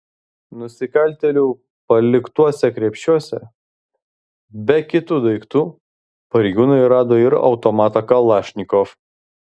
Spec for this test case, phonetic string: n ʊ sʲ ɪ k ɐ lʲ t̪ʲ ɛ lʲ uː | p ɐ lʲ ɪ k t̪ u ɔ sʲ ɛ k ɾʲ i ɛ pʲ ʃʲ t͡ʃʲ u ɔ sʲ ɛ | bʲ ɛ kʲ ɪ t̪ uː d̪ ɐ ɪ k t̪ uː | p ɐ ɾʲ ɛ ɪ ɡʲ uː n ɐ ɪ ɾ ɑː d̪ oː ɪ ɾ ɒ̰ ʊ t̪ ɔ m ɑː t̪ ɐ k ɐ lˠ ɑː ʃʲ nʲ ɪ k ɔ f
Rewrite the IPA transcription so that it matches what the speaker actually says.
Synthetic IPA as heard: n ʊ sʲ ɪ k ɐ lʲ t̪ʲ ɛ lʲ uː | p ɐ lʲ ɪ k t̪ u ɔ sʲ ɛ k ɾʲ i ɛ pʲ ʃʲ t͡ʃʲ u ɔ sʲ ɛ | bʲ ɛ kʲ ɪ t̪ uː d̪ ɐ ɪ k t̪ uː | p ɐ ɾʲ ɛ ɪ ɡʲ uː n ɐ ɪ ɾ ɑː d̪ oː ɪ ɾ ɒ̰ ʊ t̪ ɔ m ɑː t̪ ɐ k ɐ lˠ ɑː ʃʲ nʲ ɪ k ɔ f